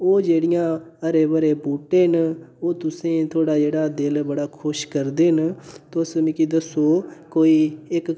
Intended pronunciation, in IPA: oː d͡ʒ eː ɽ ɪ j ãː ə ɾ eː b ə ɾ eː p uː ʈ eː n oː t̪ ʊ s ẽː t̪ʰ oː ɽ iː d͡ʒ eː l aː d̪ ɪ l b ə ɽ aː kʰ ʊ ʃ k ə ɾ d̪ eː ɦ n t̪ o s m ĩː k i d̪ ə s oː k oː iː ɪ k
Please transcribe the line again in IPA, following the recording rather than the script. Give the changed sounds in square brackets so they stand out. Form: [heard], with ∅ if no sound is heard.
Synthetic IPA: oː d͡ʒ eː ɽ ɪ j ãː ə ɾ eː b ə ɾ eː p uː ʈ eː n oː t̪ ʊ s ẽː t̪ʰ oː ɽ [aː] d͡ʒ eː [ɽ] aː d̪ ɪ l b ə ɽ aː kʰ ʊ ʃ k ə ɾ d̪ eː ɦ n t̪ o s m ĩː k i d̪ ə s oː k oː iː ɪ k